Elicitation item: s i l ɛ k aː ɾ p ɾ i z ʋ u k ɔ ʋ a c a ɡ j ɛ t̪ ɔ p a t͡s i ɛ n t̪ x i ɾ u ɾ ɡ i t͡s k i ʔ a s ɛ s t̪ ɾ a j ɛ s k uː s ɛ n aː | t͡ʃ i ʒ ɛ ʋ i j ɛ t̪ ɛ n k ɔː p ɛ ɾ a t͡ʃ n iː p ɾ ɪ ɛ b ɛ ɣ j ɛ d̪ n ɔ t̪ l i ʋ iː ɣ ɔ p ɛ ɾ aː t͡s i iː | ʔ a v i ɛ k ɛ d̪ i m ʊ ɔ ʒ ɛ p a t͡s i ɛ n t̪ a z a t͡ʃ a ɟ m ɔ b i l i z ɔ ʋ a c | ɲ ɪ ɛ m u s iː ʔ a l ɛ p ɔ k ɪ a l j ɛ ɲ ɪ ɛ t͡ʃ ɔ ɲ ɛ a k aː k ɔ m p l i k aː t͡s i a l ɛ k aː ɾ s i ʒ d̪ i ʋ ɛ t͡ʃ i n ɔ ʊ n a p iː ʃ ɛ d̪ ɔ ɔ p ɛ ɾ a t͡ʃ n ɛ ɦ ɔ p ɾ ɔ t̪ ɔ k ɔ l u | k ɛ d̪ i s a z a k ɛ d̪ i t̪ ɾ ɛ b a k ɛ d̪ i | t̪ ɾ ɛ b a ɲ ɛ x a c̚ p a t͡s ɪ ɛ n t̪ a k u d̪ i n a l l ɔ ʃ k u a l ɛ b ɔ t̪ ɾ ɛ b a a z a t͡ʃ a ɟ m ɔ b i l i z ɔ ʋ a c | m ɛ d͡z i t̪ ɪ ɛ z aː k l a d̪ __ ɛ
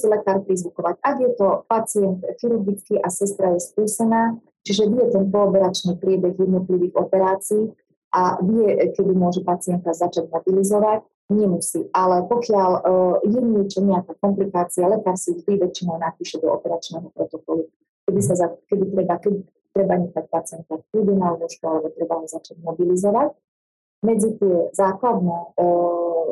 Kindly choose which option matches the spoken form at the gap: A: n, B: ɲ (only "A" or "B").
A